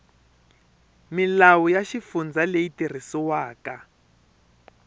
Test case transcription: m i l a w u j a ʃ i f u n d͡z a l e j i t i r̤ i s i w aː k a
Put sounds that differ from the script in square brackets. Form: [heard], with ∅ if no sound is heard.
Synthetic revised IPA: m i l a w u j a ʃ i f u n d͡z a l e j i t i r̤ i s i w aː k a